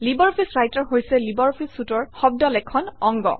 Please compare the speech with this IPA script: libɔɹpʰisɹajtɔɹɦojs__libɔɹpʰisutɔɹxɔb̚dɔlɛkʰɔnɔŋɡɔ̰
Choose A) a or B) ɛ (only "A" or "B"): B